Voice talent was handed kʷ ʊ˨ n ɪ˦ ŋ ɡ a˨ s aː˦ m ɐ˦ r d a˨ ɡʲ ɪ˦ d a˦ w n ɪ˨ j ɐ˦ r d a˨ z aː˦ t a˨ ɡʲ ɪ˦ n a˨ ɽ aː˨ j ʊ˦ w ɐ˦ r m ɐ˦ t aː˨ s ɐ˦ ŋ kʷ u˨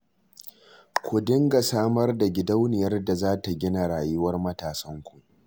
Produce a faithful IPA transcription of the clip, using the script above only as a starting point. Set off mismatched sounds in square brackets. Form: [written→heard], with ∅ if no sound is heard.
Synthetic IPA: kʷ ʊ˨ [n→d] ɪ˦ ŋ ɡ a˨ s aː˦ m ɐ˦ r d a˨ ɡʲ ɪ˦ d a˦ w n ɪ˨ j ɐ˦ r d a˨ z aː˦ t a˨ ɡʲ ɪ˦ n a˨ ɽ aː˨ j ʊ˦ w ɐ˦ r m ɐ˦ t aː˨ s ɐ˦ ŋ kʷ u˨